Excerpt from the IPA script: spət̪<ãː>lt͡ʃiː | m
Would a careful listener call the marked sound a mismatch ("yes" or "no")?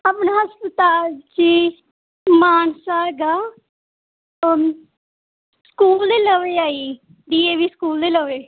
yes